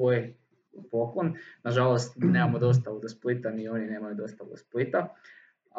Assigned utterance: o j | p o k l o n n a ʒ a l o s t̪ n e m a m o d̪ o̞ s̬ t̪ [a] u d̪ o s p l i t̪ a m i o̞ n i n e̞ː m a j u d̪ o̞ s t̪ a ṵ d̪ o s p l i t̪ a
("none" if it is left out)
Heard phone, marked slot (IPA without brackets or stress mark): a